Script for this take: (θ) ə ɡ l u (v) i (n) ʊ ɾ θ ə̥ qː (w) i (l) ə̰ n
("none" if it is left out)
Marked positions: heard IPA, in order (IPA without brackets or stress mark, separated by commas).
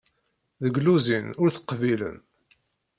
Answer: ð, z, n, v, l